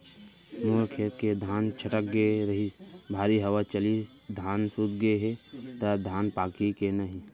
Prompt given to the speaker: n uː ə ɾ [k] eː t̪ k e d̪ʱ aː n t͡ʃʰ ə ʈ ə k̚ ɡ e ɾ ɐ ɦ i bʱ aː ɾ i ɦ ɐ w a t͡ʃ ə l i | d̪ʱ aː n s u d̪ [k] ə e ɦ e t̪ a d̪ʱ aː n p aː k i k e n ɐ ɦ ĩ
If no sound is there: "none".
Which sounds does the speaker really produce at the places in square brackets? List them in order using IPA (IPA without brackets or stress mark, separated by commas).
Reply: kʰ, ɡ